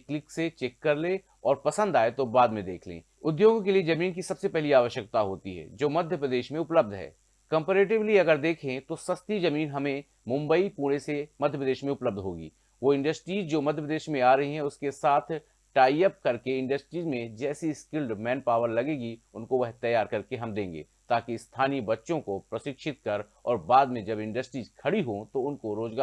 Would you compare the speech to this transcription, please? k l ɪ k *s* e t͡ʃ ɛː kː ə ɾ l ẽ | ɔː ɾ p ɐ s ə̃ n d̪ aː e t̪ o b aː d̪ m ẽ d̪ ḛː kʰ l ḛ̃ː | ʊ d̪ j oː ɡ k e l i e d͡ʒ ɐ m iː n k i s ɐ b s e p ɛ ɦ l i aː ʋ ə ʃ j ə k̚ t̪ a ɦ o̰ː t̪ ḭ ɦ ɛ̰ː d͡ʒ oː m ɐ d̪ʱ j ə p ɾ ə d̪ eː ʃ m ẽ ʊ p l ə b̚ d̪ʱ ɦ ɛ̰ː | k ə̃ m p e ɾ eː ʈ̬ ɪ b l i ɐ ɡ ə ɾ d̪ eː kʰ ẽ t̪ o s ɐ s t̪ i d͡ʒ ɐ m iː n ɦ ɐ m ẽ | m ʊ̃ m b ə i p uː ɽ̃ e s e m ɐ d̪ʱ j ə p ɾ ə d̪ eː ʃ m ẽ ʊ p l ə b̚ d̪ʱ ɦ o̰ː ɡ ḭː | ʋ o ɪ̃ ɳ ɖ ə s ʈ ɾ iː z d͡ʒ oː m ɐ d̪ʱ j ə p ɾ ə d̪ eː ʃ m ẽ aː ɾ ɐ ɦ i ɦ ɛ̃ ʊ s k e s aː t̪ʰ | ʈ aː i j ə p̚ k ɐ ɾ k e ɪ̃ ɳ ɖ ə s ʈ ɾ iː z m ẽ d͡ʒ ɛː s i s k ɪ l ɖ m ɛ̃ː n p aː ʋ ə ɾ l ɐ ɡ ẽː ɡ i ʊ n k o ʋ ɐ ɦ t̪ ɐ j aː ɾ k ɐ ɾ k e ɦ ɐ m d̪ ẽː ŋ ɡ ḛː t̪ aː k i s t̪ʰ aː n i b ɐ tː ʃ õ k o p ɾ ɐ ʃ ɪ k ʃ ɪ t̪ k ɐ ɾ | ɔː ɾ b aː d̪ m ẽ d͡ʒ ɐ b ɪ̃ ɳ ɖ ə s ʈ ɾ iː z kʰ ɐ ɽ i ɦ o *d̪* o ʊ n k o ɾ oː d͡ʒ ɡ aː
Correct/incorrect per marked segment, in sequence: correct, incorrect: t̪

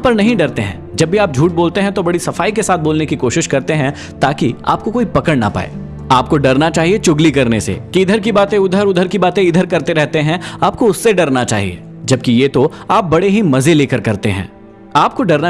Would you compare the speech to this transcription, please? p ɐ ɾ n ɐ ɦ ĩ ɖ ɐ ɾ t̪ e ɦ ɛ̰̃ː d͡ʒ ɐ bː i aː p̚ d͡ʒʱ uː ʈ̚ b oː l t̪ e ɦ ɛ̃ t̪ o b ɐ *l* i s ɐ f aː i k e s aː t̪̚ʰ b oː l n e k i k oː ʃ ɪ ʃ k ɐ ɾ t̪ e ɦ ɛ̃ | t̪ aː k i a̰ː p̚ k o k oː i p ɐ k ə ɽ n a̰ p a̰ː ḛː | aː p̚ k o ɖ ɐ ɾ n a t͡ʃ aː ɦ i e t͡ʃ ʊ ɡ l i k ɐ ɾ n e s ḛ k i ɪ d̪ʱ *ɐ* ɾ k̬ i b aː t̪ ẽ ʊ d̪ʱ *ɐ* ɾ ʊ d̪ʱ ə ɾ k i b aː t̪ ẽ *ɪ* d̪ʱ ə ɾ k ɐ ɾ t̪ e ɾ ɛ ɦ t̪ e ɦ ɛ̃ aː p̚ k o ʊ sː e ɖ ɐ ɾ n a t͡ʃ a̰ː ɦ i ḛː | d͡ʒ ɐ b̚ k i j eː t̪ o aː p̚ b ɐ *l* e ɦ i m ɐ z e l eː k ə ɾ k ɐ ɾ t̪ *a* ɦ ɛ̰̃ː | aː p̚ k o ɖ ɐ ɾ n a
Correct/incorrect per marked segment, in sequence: incorrect: ɽ, incorrect: ə, incorrect: ə, correct, incorrect: ɽ, incorrect: e

